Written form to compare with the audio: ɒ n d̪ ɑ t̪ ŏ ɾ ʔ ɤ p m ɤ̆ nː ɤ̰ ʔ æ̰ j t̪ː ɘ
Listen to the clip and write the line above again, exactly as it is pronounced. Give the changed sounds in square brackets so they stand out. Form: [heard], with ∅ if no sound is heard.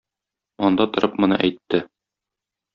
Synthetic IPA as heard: ɒ n d̪ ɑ t̪ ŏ ɾ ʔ ɤ p m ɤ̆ [n] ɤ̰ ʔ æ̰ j t̪ː ɘ